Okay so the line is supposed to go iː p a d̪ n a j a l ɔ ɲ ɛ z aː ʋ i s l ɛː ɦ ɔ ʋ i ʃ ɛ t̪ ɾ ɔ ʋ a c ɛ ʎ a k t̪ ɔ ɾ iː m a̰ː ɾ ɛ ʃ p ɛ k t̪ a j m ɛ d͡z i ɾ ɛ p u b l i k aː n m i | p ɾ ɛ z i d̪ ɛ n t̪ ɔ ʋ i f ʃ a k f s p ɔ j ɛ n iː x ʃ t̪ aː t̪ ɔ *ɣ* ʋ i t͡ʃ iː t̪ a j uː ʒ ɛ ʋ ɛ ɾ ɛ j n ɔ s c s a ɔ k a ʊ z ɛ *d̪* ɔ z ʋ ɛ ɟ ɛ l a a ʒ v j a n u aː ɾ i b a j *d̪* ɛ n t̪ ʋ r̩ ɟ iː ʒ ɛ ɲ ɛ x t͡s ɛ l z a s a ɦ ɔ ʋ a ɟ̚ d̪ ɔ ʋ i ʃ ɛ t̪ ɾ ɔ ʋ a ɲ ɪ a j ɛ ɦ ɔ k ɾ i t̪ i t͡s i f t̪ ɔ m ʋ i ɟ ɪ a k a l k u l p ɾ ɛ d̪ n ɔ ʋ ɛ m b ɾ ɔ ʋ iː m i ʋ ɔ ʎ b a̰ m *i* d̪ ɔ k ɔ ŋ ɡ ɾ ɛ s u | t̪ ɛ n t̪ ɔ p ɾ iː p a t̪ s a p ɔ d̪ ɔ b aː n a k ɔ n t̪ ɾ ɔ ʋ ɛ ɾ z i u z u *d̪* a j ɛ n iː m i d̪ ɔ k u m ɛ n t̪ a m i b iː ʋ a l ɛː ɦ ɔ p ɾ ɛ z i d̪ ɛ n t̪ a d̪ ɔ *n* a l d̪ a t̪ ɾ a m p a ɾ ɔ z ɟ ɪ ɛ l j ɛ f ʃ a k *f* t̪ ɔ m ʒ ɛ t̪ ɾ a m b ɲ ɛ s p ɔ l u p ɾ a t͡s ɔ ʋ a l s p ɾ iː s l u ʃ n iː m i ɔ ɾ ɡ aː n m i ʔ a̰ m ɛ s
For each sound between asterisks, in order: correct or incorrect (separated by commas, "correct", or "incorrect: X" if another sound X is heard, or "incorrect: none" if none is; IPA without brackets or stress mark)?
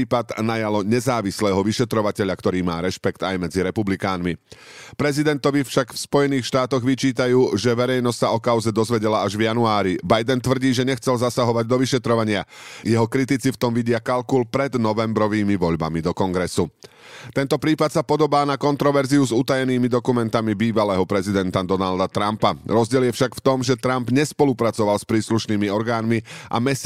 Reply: correct, correct, correct, correct, incorrect: t̪, correct, correct